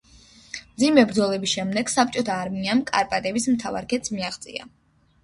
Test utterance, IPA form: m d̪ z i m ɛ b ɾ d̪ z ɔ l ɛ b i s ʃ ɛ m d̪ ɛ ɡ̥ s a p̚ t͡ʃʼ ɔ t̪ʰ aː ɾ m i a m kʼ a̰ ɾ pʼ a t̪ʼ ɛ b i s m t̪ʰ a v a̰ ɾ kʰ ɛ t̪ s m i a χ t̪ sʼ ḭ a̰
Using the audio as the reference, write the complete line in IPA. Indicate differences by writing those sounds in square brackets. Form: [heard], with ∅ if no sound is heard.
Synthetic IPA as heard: m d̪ z i m ɛ b ɾ d̪ z ɔ l ɛ b i s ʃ ɛ m d̪ ɛ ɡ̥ s a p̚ t͡ʃʼ ɔ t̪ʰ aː ɾ m i a m kʼ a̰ ɾ pʼ a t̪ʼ ɛ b i s m t̪ʰ a v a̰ ɾ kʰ ɛ t̪ s m i a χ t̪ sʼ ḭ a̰

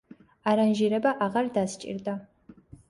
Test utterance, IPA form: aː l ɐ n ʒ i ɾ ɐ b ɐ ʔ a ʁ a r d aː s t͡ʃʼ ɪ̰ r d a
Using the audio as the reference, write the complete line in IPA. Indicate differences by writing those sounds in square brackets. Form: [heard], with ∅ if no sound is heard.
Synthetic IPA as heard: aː [ɾ] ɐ n ʒ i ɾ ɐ b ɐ ʔ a ʁ [ɐ] r d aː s t͡ʃʼ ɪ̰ r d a

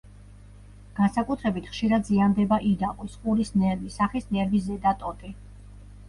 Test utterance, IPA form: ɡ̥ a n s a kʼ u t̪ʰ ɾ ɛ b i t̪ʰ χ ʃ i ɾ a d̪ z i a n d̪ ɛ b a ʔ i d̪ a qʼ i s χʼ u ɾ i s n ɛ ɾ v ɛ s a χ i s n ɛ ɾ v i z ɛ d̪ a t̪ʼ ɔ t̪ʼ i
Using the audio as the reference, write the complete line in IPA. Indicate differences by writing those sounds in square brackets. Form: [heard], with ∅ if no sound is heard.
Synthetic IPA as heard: ɡ̥ a n s a kʼ u t̪ʰ ɾ ɛ b i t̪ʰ χ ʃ i ɾ a d̪ z i a n d̪ ɛ b a ʔ i d̪ a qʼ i s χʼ u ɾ i s n ɛ ɾ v [i] s a χ i s n ɛ ɾ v i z ɛ d̪ a t̪ʼ ɔ t̪ʼ i

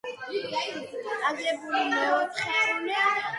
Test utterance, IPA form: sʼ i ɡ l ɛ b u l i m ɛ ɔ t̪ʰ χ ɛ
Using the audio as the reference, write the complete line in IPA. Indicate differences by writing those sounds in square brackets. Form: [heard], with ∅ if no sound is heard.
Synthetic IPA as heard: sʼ [a] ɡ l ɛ b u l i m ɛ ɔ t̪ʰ χ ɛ

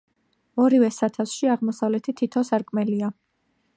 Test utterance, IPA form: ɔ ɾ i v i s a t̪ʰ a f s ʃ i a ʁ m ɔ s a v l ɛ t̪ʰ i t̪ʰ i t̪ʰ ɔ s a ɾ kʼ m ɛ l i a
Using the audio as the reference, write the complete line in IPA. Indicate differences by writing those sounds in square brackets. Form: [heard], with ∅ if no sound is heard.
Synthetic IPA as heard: ɔ ɾ i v [ɛ] s a t̪ʰ a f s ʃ i a ʁ m ɔ s a v l ɛ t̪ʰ i t̪ʰ i t̪ʰ ɔ s a ɾ kʼ m ɛ l i a

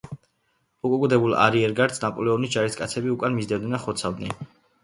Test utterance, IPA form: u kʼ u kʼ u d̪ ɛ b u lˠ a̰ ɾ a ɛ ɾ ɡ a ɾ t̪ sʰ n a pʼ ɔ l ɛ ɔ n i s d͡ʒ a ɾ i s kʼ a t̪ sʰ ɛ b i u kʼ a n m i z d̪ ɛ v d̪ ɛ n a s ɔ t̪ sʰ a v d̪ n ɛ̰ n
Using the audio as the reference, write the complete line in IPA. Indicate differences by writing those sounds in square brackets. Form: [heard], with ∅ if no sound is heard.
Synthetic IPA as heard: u kʼ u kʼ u d̪ ɛ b u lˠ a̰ ɾ [i] ɛ ɾ ɡ a ɾ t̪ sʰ n a pʼ ɔ l ɛ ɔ n i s d͡ʒ a ɾ i s kʼ a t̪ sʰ ɛ b i u kʼ a n m i z d̪ ɛ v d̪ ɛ n a [χ] ɔ t̪ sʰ a v d̪ n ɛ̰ n

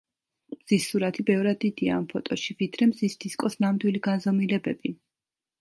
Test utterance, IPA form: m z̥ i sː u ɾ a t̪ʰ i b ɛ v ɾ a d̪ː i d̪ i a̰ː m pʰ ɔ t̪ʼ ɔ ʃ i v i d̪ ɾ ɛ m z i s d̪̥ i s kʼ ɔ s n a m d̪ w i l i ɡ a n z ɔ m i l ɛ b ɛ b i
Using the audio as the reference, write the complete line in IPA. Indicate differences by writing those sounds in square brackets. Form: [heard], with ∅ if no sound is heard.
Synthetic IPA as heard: m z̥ i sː u ɾ a t̪ʰ i b ɛ v ɾ a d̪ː i d̪ i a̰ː m pʰ ɔ t̪ʼ ɔ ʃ i v i d̪ ɾ ɛ m z i s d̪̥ i s kʼ ɔ s n a m d̪ w i l i ɡ a n z ɔ m i l ɛ b ɛ b i

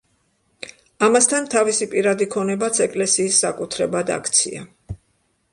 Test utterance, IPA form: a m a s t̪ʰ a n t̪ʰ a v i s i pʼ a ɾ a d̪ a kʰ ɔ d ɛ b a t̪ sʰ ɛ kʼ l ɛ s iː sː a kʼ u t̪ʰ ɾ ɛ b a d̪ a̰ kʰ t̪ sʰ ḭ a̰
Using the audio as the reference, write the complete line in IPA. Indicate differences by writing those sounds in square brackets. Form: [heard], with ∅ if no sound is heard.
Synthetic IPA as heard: a m a s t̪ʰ a n t̪ʰ a v i s i pʼ [i] ɾ a d̪ [i] kʰ ɔ [n] ɛ b a t̪ sʰ ɛ kʼ l ɛ s iː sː a kʼ u t̪ʰ ɾ ɛ b a d̪ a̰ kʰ t̪ sʰ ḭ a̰

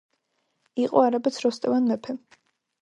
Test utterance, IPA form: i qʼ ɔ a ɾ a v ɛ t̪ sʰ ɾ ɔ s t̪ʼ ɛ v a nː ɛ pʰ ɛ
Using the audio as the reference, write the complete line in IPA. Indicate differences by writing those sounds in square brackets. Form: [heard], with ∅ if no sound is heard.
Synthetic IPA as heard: i qʼ ɔ a ɾ a [b] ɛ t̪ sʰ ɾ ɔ s t̪ʼ ɛ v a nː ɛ pʰ ɛ

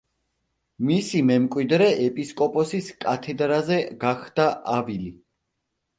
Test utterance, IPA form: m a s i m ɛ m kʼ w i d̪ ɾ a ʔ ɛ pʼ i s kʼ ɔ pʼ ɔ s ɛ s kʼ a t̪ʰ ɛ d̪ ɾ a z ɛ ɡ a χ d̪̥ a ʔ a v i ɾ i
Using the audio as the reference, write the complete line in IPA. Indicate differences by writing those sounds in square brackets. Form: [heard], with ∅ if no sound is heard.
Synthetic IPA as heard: m [i] s i m ɛ m kʼ w i d̪ ɾ [ɛ] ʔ ɛ pʼ i s kʼ ɔ pʼ ɔ s [i] s kʼ a t̪ʰ ɛ d̪ ɾ a z ɛ ɡ a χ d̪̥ a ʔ a v i [l] i

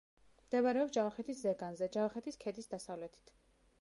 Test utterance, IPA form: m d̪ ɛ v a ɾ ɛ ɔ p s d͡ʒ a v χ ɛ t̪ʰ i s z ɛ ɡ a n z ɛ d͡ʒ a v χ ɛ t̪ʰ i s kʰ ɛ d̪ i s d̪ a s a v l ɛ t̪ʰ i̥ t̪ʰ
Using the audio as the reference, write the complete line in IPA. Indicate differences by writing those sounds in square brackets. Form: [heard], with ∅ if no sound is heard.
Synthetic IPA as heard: m d̪ ɛ v a ɾ ɛ ɔ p s d͡ʒ a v χ ɛ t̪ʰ i s z ɛ ɡ a n z ɛ d͡ʒ a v χ ɛ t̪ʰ i s kʰ ɛ d̪ i s d̪ a s a v l ɛ t̪ʰ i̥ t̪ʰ

